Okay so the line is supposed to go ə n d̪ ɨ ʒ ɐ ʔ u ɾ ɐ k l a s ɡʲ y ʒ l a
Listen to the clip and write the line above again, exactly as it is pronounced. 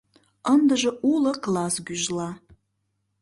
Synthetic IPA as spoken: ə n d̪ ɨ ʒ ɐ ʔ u l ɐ k l a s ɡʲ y ʒ l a